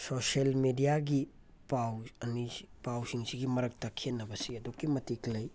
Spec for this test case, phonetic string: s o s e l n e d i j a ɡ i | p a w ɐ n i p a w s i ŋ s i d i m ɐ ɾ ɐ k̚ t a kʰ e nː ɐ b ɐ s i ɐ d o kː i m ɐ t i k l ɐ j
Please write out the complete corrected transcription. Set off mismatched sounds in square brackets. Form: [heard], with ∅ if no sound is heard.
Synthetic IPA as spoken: s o s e l [m] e d i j a ɡ i | p a w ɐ n i p a w s i ŋ s i [ɡ] i m ɐ ɾ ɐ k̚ t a kʰ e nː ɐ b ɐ s i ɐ d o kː i m ɐ t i k l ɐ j